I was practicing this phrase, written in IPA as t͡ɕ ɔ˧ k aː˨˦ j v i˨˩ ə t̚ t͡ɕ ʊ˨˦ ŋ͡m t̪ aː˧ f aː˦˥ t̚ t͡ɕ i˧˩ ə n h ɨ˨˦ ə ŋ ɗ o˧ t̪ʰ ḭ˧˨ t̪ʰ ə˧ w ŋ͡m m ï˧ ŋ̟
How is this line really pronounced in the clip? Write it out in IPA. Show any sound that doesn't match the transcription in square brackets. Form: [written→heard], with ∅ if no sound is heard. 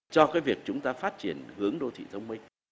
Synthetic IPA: t͡ɕ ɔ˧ k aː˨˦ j v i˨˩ ə [t̚→k̚] t͡ɕ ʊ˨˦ ŋ͡m t̪ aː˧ f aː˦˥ t̚ t͡ɕ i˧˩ ə n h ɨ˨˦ ə ŋ ɗ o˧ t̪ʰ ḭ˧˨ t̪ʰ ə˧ w ŋ͡m m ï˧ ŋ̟